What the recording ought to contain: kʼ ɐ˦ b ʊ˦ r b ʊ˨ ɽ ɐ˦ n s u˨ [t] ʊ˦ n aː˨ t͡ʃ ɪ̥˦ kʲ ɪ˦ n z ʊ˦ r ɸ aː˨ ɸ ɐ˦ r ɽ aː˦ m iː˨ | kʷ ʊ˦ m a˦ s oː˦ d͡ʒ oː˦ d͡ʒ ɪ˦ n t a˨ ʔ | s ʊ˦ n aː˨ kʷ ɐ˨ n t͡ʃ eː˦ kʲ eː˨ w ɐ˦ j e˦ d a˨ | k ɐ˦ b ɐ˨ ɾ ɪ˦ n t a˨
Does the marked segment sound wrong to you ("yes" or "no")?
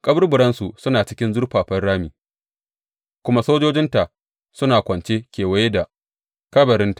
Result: yes